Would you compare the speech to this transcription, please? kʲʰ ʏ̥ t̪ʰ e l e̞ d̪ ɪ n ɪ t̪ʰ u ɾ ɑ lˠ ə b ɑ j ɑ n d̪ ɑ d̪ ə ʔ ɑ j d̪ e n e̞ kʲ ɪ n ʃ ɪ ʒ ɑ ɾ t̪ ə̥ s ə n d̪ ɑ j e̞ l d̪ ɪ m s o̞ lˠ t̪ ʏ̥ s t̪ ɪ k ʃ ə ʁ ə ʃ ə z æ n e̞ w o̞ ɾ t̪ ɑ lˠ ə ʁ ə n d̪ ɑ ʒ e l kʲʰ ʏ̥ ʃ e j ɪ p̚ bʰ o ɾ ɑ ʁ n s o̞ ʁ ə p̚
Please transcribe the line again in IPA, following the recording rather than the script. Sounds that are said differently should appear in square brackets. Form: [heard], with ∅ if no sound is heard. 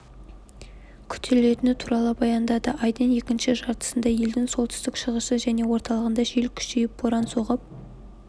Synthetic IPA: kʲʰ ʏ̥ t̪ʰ e l e̞ [t̪] ɪ n ɪ t̪ʰ u ɾ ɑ lˠ ə b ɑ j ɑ n d̪ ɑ d̪ ə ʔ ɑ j d̪ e n e̞ kʲ ɪ n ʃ ɪ ʒ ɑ ɾ t̪ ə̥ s ə n d̪ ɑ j e̞ l d̪ ɪ [ŋ] s o̞ lˠ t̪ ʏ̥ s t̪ ɪ k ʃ ə ʁ ə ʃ ə [ʒ] æ n e̞ w o̞ ɾ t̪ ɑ lˠ ə ʁ ə n d̪ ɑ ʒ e l kʲʰ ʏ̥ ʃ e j ɪ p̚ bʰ o ɾ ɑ [∅] n s o̞ ʁ ə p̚